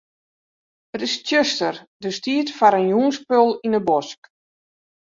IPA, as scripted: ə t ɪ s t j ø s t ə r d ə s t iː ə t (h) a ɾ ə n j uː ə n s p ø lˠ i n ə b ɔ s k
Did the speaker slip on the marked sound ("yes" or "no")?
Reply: yes